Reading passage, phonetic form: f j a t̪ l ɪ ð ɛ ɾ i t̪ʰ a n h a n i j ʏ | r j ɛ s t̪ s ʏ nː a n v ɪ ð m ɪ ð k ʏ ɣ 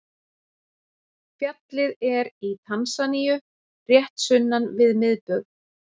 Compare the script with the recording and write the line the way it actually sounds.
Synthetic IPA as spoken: f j a t̪ l ɪ ð ɛ ɾ i t̪ʰ a n s a n i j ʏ | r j ɛ h t̪ s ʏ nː a n v ɪ ð m ɪ ð p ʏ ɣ